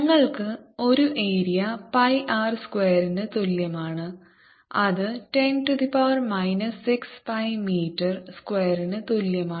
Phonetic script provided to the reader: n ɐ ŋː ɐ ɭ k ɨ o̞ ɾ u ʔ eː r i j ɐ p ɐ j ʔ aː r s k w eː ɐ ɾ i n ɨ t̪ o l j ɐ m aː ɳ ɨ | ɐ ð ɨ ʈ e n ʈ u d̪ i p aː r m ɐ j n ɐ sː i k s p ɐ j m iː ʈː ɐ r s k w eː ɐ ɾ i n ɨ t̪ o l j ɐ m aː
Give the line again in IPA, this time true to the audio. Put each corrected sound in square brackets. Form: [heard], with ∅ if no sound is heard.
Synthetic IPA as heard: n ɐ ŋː ɐ ɭ k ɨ o̞ ɾ u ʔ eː [ɾ] i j ɐ p ɐ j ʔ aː r s k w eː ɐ ɾ i n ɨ t̪ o l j ɐ m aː ɳ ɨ | ɐ ð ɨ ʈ e n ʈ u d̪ i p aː r m ɐ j n ɐ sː i k s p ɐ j m iː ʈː ɐ r s k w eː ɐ ɾ i n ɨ t̪ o l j ɐ m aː

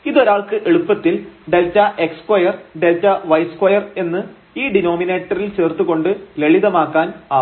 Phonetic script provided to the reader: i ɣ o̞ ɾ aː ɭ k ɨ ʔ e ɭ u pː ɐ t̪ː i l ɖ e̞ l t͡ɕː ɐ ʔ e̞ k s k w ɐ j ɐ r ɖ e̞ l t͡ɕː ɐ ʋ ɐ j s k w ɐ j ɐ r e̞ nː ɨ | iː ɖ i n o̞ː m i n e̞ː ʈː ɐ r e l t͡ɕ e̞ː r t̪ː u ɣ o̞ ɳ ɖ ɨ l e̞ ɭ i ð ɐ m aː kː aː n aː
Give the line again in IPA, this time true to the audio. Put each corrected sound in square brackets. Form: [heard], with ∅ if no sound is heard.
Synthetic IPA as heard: i [ð] o̞ ɾ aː ɭ k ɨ ʔ e ɭ u pː ɐ t̪ː i l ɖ e̞ l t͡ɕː ɐ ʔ e̞ k s k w ɐ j ɐ r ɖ e̞ l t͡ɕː ɐ ʋ ɐ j s k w ɐ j ɐ r e̞ nː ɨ | iː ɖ i n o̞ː m i n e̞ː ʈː ɐ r [i] l t͡ɕ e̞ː r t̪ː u ɣ o̞ ɳ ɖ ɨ l e̞ ɭ i ð ɐ m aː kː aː n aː

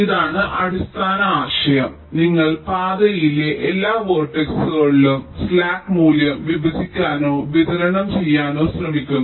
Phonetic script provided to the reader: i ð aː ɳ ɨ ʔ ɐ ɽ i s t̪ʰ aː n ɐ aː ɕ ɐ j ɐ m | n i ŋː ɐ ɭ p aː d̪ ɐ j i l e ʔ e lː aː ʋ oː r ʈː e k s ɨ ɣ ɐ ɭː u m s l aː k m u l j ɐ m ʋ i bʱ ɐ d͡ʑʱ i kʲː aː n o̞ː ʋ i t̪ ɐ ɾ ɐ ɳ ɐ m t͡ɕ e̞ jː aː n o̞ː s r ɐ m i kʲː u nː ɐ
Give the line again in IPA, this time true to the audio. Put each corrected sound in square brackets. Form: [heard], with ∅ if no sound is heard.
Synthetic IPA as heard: i ð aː ɳ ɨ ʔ ɐ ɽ i s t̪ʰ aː n ɐ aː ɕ ɐ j ɐ m | n i ŋː ɐ ɭ p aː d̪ ɐ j i l e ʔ e lː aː ʋ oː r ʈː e k s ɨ ɣ ɐ ɭː u m s l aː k m [uː] l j ɐ m ʋ i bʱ ɐ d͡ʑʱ i kʲː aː n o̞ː ʋ i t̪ ɐ ɾ ɐ ɳ ɐ m t͡ɕ e̞ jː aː n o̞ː s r ɐ m i kʲː u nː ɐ

